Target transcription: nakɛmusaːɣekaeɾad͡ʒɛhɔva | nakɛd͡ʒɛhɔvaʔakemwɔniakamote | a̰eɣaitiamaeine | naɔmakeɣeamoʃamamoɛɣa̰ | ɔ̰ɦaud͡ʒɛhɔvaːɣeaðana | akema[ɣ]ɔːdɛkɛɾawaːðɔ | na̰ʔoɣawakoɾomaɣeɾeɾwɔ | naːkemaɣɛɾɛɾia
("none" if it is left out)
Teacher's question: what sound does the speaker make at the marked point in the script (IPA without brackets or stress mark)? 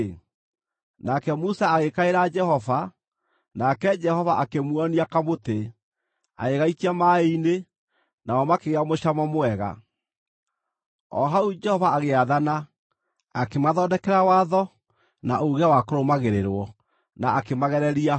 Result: ð